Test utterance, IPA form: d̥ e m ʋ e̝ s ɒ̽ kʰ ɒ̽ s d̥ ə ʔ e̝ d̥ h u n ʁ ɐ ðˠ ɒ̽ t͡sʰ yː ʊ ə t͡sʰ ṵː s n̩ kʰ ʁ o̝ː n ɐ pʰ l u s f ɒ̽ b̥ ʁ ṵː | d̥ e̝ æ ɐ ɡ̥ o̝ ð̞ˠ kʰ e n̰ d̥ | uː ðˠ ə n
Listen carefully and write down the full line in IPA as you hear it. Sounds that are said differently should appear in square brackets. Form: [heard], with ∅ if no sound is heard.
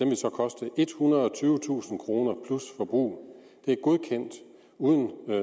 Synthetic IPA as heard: d̥ e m ʋ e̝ s ɒ̽ kʰ ɒ̽ s d̥ ə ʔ e̝ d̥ h u n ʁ ɐ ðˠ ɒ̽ t͡sʰ yː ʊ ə t͡sʰ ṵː s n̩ kʰ ʁ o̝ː n ɐ pʰ l u s f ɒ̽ b̥ ʁ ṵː | d̥ e̝ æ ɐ ɡ̥ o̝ ð̞ˠ kʰ e n̰ d̥ | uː ðˠ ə n